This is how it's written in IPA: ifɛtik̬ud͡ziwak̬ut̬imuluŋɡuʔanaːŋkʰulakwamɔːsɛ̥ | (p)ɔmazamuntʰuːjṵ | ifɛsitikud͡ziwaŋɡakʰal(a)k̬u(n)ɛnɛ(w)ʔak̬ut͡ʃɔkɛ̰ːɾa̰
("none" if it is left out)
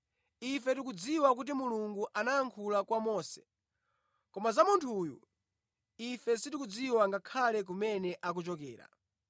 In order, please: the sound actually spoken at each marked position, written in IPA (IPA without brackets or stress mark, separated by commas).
k, ɛ, m, none